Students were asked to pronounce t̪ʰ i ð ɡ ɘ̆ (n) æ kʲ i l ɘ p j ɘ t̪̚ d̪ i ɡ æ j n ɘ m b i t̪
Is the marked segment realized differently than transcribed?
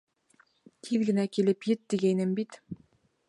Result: no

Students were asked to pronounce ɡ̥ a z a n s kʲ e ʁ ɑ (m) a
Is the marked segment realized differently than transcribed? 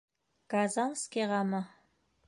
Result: no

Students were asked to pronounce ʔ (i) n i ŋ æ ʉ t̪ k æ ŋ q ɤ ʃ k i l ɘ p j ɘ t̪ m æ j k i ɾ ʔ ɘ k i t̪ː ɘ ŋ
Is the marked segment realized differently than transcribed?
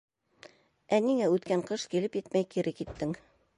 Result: yes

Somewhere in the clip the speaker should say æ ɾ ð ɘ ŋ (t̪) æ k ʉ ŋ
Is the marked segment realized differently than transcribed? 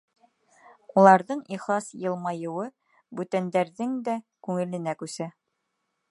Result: yes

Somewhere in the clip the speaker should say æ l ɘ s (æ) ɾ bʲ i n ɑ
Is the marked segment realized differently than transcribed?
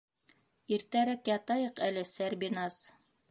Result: no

